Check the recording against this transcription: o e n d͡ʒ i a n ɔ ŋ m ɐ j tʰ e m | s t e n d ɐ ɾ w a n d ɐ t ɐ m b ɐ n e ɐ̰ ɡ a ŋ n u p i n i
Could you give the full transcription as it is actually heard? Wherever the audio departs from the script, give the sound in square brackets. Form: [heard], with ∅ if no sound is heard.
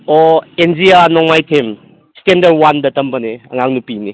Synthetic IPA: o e n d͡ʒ i a n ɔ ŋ m [a] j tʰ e m | s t e n d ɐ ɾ w a n d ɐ t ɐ m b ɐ n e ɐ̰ [ŋ] a ŋ n u p i n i